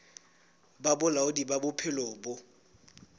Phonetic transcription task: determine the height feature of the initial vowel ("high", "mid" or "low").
low